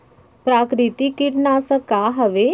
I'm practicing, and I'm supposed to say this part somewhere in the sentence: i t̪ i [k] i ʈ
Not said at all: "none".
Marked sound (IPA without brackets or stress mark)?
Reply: k